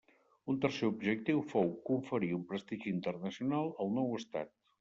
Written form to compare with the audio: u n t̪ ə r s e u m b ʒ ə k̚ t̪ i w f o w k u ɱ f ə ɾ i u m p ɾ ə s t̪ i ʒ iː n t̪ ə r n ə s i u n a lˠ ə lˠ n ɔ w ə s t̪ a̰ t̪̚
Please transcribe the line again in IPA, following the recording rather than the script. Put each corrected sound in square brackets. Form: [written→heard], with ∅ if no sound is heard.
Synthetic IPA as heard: u n t̪ ə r s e u [m→∅] b ʒ ə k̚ t̪ i w f o w k u ɱ f ə ɾ i u m p ɾ ə s t̪ i ʒ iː n t̪ ə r n ə s i u n a lˠ ə lˠ n ɔ w ə s t̪ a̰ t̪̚